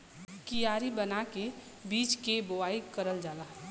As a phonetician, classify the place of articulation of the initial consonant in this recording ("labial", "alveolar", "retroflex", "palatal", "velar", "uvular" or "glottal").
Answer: velar